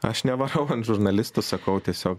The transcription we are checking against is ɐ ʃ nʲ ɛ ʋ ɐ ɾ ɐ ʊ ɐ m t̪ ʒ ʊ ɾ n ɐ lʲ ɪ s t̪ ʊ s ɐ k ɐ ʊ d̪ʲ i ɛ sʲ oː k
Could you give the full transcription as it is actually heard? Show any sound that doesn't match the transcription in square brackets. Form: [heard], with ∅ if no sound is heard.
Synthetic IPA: ɐ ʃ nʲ ɛ ʋ ɐ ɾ ɐ ʊ ɐ [n] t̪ ʒ ʊ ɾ n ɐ lʲ ɪ s t̪ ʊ s ɐ k ɐ ʊ [t̪ʲ] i ɛ sʲ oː k